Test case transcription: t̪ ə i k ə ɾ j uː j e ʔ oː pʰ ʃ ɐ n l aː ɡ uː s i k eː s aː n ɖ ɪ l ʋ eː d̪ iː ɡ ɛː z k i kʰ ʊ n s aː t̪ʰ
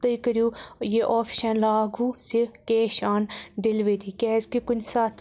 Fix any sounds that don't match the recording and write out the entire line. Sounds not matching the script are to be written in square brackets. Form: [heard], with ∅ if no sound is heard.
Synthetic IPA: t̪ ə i k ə ɾ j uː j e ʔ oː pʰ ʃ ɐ n l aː ɡ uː s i k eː [ʃ] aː n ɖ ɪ l ʋ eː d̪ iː [k] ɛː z k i [k] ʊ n s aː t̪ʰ